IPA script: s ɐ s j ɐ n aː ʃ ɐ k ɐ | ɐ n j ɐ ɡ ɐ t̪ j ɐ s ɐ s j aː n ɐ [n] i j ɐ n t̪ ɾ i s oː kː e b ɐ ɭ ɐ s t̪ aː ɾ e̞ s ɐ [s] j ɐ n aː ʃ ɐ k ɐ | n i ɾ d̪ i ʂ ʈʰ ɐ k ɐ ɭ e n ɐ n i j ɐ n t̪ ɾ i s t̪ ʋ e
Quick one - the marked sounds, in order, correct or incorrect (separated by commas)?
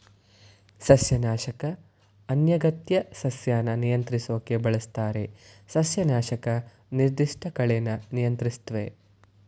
correct, correct